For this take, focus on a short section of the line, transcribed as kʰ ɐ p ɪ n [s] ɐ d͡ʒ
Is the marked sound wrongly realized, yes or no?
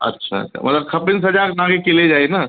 no